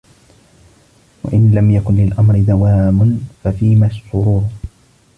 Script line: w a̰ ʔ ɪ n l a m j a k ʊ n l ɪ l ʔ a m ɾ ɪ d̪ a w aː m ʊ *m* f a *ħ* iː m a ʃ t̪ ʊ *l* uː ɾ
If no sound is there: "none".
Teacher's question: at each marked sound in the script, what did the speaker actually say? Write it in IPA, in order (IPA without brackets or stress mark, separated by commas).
n, f, ɾ